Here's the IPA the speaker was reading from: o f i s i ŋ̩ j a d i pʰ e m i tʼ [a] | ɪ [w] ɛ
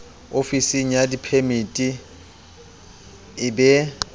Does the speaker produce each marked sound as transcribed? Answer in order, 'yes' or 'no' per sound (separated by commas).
no, no